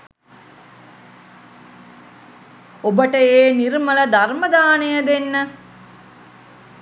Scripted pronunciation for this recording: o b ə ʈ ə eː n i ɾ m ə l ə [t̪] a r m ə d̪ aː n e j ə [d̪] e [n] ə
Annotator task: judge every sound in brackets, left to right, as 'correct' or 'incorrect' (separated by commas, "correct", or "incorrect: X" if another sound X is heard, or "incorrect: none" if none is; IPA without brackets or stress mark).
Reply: incorrect: d̪, correct, incorrect: nː